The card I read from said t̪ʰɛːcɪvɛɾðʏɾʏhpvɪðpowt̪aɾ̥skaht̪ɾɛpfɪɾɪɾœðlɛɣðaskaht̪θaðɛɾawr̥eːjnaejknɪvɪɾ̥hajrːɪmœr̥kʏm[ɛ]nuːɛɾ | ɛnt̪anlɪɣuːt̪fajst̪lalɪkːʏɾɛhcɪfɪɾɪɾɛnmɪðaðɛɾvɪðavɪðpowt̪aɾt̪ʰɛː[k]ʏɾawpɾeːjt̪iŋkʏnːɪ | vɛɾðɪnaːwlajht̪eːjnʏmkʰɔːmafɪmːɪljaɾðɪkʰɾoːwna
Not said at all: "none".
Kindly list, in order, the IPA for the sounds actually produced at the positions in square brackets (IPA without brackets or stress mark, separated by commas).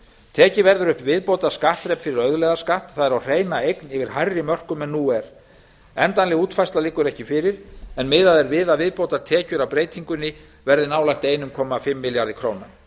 ɛ, c